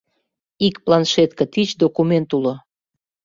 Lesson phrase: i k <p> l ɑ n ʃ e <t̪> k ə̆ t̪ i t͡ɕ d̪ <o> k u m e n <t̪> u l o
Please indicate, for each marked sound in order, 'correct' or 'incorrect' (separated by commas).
correct, correct, correct, correct